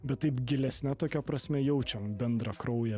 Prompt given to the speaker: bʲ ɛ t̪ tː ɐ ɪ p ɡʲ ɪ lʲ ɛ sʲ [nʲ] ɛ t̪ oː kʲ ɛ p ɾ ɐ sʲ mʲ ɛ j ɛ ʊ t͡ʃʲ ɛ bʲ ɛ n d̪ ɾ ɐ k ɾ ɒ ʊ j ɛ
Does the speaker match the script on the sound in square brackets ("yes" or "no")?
yes